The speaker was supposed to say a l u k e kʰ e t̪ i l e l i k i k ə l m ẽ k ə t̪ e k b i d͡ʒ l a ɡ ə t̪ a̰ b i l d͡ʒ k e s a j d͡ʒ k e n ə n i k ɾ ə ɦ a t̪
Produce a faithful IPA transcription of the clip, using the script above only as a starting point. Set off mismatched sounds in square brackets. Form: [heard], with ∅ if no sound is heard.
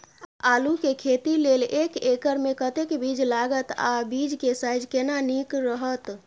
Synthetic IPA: a l u k e kʰ e t̪ i l e l [e] k [e] k ə [ɾ] m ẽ k ə t̪ e k b i d͡ʒ l a ɡ ə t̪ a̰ b i [∅] d͡ʒ k e s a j d͡ʒ k e n [a] n i k ɾ ə ɦ [ə] t̪